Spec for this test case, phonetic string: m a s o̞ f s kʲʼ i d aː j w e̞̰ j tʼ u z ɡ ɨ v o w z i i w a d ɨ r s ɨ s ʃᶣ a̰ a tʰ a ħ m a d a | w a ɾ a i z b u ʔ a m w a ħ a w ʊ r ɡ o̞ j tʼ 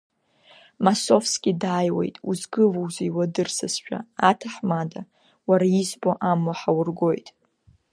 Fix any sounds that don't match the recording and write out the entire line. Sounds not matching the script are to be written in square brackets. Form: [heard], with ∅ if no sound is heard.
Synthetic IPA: m a s o̞ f s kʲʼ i d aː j w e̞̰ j tʼ u z ɡ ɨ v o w z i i w a d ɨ r s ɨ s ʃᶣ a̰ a tʰ a ħ m a d a | w a ɾ a i z b [o] ʔ a m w a ħ a w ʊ r ɡ o̞ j tʼ